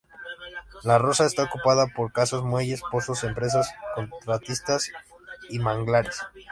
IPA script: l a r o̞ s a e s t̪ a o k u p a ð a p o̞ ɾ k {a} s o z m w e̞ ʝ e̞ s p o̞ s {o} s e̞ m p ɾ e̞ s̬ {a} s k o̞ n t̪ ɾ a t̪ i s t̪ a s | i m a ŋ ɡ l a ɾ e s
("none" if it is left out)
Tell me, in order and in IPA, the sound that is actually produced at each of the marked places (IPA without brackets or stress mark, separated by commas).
a, o, a